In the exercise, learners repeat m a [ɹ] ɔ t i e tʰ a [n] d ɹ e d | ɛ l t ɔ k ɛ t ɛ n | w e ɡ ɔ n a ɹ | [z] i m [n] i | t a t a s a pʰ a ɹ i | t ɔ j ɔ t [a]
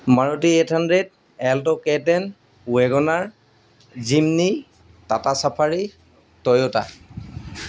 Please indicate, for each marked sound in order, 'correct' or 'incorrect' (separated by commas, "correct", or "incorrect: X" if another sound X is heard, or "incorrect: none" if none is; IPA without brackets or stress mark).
correct, correct, correct, correct, correct